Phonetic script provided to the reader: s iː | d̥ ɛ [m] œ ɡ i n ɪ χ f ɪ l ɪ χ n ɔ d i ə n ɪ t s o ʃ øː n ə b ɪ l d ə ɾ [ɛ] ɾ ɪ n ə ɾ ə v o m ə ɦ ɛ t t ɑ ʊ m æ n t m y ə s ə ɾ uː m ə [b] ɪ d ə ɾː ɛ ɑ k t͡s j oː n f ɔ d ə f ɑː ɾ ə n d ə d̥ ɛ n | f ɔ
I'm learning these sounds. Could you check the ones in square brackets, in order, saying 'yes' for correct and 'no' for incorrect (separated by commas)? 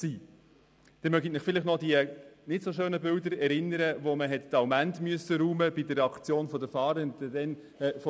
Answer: yes, yes, yes